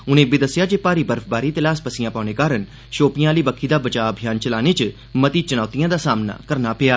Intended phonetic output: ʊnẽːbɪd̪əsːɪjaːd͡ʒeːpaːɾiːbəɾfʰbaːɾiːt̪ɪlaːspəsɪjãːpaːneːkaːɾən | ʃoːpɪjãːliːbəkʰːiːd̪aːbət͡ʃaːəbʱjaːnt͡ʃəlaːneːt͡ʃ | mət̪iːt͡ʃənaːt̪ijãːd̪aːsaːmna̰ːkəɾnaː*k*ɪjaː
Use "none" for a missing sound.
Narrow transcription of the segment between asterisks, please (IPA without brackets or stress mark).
p